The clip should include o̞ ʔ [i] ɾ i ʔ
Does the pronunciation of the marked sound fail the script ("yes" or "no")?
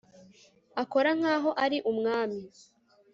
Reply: yes